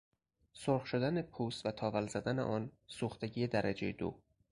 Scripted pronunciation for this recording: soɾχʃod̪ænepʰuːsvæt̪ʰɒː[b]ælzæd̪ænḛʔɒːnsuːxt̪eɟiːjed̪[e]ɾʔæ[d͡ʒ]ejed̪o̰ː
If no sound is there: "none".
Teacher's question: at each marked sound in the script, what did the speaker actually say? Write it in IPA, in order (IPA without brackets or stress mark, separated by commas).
v, æ, d͡ʒ